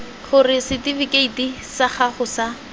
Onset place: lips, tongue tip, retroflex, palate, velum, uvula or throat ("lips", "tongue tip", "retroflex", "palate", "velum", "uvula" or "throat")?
uvula